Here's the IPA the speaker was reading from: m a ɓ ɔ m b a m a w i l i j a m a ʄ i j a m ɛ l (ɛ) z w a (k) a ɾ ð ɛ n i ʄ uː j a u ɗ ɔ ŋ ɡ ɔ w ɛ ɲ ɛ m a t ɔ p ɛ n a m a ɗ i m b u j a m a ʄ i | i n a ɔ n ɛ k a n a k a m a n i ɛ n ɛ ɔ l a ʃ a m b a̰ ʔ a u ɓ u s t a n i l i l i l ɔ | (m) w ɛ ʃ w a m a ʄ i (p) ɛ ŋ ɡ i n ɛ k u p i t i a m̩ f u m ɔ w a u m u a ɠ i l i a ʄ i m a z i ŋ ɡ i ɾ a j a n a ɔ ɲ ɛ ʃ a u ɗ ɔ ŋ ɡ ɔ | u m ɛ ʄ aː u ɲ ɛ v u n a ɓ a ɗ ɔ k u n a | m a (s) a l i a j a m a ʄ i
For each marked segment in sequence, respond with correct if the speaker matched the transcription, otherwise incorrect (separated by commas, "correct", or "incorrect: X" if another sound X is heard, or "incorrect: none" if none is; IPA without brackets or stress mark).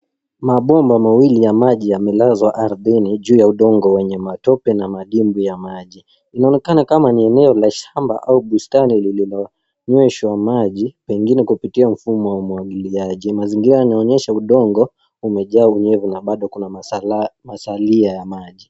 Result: incorrect: a, incorrect: ʔ, incorrect: ɲ, correct, correct